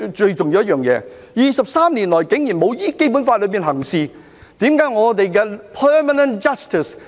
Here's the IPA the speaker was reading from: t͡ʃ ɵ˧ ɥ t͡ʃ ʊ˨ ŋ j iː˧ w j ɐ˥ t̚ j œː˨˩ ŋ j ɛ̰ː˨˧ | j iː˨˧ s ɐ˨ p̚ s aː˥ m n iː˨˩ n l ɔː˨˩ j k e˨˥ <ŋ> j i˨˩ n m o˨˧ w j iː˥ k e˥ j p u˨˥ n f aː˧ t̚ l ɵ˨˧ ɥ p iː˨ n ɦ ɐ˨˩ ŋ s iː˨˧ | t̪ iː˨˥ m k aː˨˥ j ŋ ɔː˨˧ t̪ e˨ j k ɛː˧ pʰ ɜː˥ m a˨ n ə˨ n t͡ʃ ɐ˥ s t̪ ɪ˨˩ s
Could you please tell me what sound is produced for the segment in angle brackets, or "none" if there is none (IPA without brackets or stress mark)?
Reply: ŋ